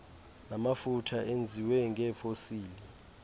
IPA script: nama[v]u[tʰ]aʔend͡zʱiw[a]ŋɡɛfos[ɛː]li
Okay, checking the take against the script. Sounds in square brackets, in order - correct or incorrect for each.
incorrect: f, correct, incorrect: ɛ, incorrect: iː

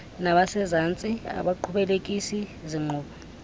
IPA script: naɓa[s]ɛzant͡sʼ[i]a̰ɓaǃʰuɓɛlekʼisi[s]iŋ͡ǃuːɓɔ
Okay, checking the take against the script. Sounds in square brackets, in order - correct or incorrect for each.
correct, correct, incorrect: z

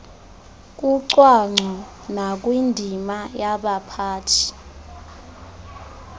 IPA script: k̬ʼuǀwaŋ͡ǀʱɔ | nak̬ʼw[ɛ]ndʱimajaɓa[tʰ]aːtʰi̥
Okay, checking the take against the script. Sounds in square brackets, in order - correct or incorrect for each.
incorrect: i, incorrect: pʰ

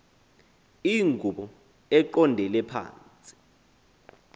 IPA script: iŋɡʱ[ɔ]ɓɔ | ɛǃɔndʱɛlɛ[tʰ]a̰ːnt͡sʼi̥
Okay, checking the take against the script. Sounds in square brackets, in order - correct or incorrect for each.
incorrect: u, incorrect: pʰ

